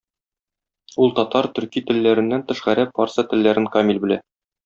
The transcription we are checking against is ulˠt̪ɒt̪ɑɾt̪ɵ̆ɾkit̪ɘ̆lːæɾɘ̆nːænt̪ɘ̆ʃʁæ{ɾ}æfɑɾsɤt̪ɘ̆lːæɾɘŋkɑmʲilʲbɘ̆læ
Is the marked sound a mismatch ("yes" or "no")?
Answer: no